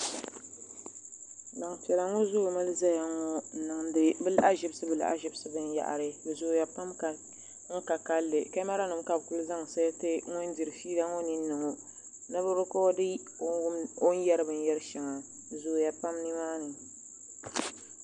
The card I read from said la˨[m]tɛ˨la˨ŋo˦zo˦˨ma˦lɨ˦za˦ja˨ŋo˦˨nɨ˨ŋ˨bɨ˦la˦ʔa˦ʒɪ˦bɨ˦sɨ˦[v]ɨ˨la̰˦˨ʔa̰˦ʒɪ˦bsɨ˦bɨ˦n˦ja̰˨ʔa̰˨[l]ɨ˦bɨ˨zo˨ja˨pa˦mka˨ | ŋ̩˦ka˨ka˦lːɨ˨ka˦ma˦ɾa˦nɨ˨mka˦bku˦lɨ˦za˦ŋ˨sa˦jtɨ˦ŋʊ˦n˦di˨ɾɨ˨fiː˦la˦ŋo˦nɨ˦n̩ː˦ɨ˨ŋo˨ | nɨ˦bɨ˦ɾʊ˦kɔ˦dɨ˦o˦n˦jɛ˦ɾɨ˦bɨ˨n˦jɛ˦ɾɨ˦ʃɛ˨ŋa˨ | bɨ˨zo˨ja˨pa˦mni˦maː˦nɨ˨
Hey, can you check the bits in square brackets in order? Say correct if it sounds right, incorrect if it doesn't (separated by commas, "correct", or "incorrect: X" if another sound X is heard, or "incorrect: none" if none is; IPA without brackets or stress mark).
incorrect: ŋ, incorrect: b, incorrect: ɾ